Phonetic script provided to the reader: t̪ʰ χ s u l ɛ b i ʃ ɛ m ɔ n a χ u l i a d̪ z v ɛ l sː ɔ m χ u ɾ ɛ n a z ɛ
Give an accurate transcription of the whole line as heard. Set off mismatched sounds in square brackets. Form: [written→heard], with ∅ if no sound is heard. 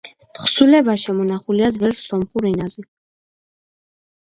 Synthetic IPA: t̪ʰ χ s u l ɛ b [i→a] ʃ ɛ m ɔ n a χ u l i a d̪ z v ɛ l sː ɔ m χ u ɾ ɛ n a z ɛ